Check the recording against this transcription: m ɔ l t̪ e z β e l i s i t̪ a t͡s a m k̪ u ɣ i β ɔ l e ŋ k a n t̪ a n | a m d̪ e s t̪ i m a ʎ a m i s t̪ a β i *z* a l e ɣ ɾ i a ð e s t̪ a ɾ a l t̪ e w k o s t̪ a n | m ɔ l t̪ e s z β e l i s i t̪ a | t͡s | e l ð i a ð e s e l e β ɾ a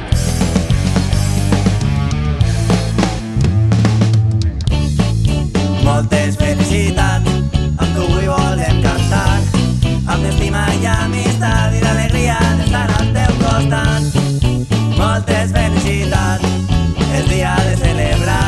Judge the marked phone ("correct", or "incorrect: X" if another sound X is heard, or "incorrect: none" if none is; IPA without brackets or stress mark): incorrect: ð